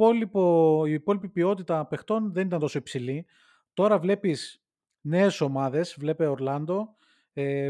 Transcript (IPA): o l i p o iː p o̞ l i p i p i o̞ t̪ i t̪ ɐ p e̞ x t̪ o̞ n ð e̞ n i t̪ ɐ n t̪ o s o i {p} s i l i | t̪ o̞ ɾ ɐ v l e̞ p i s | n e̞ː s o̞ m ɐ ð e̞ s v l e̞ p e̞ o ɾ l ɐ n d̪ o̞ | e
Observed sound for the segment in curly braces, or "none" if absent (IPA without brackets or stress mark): p